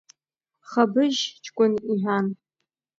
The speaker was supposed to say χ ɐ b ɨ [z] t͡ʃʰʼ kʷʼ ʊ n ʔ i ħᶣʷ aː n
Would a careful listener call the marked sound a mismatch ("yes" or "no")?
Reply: yes